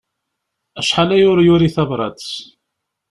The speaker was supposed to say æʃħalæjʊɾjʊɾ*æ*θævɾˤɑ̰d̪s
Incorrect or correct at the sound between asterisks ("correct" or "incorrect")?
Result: incorrect